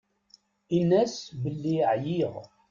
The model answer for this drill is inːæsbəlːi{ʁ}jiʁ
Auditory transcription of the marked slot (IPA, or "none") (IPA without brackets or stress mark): ʕ